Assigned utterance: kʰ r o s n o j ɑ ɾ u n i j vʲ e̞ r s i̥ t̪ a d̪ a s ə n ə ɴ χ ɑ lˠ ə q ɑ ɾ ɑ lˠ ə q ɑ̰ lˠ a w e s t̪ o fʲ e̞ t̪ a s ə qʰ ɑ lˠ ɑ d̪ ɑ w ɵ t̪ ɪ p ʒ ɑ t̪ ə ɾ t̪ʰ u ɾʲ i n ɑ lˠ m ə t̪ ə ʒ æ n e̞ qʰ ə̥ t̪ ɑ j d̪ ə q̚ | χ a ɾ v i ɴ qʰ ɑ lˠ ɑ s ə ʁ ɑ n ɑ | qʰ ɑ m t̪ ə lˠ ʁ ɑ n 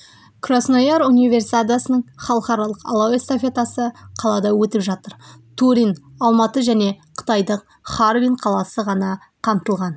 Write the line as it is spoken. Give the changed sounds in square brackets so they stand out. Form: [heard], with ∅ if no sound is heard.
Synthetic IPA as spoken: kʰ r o s n o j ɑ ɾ u n i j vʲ e̞ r s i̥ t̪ a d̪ a s ə n ə ɴ χ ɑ lˠ ə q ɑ ɾ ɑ lˠ ə q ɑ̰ lˠ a w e s t̪ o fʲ e̞ t̪ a s ə qʰ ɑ lˠ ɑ d̪ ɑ w ɵ t̪ ɪ p ʒ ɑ t̪ ə ɾ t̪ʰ u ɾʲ i n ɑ lˠ m [ɑ] t̪ ə ʒ æ n e̞ qʰ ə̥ t̪ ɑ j d̪ ə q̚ | χ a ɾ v i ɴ qʰ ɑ lˠ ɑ s ə ʁ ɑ n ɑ | qʰ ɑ m t̪ ə lˠ ʁ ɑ n

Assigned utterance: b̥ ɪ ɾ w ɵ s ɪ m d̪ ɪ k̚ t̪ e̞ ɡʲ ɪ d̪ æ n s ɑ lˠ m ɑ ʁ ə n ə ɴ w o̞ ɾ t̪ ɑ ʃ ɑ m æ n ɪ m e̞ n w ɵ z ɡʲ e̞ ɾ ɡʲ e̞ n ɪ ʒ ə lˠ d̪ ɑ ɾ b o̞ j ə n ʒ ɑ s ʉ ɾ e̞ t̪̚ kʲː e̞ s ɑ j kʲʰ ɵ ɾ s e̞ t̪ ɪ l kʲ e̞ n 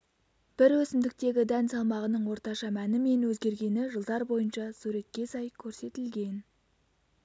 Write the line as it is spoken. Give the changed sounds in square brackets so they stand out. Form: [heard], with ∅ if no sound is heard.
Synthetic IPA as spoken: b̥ ɪ ɾ w ɵ s ɪ m d̪ ɪ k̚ t̪ e̞ ɡʲ ɪ d̪ æ n s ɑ lˠ m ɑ ʁ ə n ə ɴ w o̞ ɾ t̪ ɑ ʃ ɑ m æ n ɪ m e̞ n w ɵ z ɡʲ e̞ ɾ ɡʲ e̞ n ɪ ʒ ə lˠ d̪ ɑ ɾ b o̞ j ə n [ʃ] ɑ s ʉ ɾ e̞ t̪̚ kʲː e̞ s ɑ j kʲʰ ɵ ɾ s e̞ t̪ ɪ l [ɡʲ] e̞ n

